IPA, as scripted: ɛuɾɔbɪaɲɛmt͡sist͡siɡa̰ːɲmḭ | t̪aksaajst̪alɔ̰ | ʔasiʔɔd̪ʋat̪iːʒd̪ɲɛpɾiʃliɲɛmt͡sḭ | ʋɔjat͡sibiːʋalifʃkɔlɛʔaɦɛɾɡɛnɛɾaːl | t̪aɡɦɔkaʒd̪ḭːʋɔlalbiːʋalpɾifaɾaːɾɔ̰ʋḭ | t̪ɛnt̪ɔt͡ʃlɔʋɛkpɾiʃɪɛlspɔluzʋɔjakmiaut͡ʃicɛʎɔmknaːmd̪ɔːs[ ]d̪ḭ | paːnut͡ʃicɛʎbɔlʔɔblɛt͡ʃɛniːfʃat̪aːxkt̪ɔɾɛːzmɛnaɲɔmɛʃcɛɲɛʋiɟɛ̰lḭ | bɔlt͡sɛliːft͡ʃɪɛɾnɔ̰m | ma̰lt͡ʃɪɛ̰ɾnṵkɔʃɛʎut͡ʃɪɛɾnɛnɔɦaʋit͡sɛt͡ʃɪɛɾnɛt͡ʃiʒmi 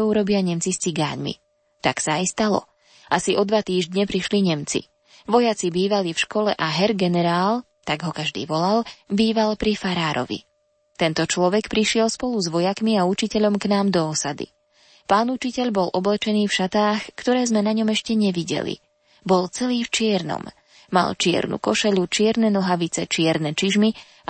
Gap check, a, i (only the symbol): a